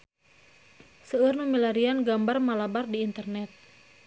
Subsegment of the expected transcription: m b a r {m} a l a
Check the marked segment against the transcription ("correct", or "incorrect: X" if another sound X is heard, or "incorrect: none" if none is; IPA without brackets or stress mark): correct